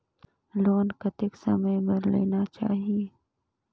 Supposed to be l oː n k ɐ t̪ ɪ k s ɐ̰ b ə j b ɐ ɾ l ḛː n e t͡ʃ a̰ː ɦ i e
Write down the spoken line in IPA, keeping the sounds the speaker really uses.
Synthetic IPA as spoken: l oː n k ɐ t̪ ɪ k s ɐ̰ m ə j b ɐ ɾ l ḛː n a t͡ʃ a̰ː ɦ i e